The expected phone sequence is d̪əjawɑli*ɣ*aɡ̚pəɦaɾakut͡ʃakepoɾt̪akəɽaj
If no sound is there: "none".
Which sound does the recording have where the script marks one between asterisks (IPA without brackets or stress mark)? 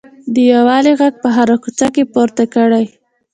ɣ